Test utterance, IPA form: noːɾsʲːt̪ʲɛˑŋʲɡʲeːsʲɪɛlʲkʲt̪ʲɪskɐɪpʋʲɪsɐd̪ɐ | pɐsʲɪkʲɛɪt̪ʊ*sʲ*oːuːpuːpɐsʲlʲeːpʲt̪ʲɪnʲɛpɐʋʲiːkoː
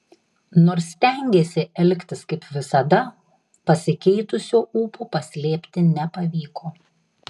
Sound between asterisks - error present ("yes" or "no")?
no